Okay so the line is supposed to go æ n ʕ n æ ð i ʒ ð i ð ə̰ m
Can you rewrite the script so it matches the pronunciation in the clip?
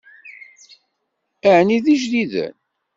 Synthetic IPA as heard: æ ʕ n i ð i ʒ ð i ð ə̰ n